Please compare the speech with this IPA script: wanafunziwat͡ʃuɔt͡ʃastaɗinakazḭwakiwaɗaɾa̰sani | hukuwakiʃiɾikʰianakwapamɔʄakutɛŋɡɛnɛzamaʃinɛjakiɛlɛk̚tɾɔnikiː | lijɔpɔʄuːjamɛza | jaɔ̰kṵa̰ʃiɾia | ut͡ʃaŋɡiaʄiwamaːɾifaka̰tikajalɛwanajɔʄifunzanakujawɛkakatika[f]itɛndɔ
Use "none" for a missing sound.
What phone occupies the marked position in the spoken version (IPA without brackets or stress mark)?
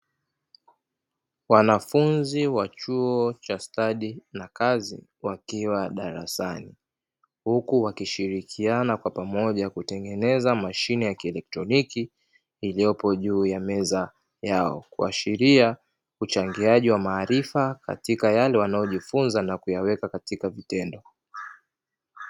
v